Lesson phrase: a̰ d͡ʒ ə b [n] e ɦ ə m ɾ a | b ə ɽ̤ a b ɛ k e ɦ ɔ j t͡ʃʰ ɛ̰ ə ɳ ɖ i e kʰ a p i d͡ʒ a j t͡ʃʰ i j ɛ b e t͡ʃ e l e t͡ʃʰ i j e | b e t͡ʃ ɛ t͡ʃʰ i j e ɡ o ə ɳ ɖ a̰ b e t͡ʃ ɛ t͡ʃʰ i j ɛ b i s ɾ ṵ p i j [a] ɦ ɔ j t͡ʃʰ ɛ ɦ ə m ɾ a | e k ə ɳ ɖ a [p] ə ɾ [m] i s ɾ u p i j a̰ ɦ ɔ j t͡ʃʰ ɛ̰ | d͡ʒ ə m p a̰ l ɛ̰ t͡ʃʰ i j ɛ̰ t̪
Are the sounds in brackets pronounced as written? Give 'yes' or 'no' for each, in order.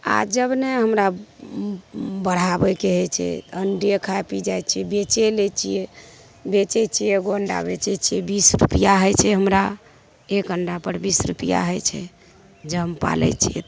yes, yes, yes, no

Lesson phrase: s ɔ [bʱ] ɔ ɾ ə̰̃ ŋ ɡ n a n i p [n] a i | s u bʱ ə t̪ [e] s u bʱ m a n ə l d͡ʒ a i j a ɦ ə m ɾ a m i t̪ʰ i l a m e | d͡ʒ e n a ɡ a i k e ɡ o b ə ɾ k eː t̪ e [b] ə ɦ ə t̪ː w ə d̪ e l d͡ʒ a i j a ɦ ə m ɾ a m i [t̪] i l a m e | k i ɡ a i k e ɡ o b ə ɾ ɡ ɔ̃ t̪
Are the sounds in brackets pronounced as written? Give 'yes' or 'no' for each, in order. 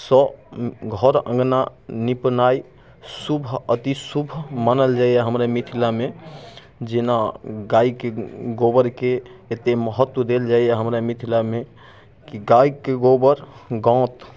no, yes, no, no, no

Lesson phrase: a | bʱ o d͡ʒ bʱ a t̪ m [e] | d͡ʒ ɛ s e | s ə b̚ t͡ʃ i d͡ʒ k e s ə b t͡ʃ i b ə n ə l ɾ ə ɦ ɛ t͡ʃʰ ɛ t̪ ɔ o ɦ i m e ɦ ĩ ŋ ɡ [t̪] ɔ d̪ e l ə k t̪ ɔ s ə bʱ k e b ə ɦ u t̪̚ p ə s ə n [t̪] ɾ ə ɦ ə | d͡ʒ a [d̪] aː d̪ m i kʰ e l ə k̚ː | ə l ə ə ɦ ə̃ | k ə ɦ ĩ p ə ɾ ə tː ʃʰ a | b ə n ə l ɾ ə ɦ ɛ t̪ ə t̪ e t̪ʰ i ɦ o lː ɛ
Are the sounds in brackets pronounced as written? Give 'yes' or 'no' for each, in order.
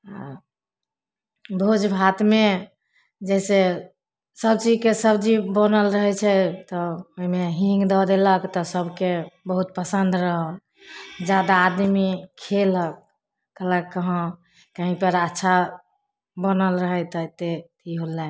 yes, no, no, yes

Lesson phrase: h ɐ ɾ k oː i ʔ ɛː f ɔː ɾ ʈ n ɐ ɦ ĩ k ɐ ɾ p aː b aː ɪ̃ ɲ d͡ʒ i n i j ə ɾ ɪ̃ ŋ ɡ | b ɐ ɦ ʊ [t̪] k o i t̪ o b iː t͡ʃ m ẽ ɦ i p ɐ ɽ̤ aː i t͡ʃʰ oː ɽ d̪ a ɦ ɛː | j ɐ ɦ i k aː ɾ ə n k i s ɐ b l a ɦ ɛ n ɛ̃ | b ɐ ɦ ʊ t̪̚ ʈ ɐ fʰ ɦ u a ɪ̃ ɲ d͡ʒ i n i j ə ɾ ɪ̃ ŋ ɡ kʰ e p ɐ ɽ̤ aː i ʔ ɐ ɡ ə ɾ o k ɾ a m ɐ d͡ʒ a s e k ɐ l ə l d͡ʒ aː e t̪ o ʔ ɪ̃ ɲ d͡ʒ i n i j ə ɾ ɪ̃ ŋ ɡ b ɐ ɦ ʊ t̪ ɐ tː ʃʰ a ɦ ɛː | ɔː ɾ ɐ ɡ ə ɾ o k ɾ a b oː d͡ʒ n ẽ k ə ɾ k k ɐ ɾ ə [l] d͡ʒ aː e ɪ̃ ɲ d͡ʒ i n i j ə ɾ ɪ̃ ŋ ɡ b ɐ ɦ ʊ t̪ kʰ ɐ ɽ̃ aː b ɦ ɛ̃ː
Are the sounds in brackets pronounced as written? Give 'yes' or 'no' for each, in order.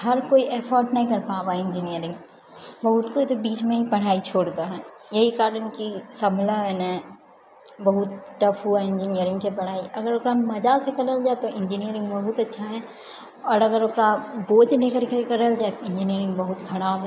yes, yes

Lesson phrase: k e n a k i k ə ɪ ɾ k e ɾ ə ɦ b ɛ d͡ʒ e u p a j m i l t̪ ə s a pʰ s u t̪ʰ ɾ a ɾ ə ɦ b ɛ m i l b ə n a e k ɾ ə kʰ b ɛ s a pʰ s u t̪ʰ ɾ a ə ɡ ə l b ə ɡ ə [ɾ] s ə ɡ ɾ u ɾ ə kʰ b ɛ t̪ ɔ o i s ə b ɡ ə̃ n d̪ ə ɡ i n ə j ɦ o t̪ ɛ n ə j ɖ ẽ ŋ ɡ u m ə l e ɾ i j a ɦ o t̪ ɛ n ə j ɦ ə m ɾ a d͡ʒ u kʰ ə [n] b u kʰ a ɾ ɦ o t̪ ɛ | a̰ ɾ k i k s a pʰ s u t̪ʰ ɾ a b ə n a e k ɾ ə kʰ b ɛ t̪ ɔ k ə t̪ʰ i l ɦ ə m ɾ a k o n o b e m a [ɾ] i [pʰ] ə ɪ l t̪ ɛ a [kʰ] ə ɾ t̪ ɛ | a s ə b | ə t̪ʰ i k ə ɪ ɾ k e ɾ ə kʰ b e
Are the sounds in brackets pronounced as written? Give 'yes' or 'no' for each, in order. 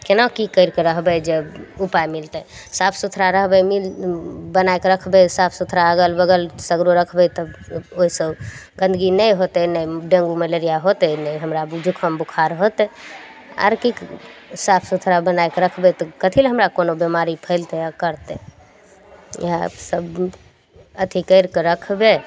no, no, yes, yes, no

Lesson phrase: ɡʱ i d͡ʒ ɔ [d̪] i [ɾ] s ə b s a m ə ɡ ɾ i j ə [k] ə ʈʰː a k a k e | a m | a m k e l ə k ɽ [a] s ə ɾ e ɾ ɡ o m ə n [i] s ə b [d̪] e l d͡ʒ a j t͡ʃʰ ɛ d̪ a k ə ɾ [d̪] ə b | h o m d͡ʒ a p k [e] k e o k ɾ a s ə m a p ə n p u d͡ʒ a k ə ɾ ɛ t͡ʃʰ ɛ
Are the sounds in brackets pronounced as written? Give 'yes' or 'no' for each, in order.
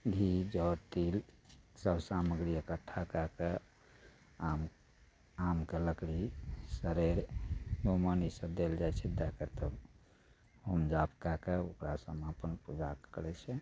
no, no, yes, no, yes, yes, no, no

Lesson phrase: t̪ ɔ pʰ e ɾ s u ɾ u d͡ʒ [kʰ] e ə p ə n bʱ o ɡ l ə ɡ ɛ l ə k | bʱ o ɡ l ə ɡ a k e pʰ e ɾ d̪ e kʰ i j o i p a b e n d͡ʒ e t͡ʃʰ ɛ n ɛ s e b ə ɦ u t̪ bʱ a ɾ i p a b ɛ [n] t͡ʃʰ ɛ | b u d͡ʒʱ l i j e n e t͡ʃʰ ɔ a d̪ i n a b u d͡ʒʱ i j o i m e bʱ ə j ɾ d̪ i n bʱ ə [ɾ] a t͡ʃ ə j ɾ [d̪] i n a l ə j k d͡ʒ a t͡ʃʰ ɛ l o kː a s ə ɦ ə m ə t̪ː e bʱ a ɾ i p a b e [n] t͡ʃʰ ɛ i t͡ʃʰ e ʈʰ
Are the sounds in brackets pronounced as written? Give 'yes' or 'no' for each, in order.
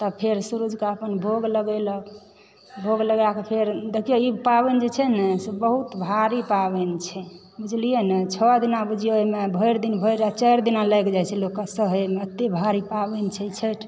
no, yes, yes, yes, yes

